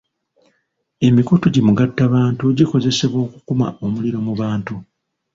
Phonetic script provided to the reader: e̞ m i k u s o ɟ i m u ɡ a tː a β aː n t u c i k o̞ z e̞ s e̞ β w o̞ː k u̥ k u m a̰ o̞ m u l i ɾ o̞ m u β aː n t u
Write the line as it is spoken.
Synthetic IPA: e̞ m i k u t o ɟ i m u ɡ a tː a β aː n t u ɟ i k o̞ z e̞ s e̞ β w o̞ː k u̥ k u m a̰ o̞ m u l i ɾ o̞ m u β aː n t u